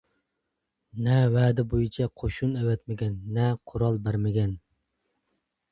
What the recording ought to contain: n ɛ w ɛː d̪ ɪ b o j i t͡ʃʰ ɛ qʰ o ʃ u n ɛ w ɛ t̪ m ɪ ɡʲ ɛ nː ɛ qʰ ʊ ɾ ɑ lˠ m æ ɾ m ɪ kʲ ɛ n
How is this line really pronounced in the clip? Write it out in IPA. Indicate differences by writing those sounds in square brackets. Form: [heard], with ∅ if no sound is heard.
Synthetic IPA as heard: n ɛ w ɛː d̪ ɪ b o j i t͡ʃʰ ɛ qʰ o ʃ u n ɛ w ɛ t̪ m ɪ ɡʲ ɛ nː ɛ qʰ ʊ ɾ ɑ lˠ [b] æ ɾ m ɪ [ɡʲ] ɛ n